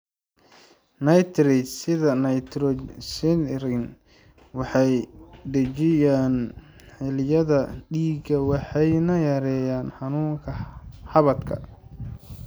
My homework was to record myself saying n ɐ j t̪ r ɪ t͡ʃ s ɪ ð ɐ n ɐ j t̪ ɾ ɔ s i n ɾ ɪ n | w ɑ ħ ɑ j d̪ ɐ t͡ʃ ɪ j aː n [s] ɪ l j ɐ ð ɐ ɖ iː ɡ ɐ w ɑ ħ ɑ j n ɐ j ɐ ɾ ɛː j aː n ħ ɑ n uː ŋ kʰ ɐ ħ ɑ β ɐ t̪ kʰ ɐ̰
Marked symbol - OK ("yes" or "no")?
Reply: no